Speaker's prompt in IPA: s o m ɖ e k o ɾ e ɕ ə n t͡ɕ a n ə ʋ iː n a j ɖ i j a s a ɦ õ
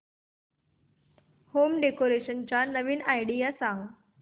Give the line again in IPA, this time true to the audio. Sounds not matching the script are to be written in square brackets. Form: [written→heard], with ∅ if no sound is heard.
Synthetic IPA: [s→h] o m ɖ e k o ɾ e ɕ ə n t͡ɕ a n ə ʋ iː n a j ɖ i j a s a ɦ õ